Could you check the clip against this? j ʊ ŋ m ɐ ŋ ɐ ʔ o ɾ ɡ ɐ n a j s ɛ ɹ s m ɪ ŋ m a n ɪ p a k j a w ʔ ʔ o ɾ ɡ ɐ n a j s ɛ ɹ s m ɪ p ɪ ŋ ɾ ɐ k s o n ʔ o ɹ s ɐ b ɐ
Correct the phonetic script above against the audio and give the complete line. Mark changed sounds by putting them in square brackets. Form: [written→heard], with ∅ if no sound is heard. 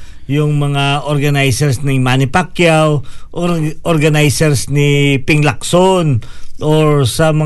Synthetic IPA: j ʊ ŋ m ɐ ŋ [ɐ→a] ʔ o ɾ ɡ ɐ n a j s ɛ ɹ s [m→n] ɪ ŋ m a n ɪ p a k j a w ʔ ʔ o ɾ ɡ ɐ n a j s ɛ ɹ s [m→n] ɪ p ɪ ŋ [ɾ→l] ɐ k s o n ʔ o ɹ s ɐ [b→m] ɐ